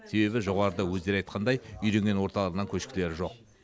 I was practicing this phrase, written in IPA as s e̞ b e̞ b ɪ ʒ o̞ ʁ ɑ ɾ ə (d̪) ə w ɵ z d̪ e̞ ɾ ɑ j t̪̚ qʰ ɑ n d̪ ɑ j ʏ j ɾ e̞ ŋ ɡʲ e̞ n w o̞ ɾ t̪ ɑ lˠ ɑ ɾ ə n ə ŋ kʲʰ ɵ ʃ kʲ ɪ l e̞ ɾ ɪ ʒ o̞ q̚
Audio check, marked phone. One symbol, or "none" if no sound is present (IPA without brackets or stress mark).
d̪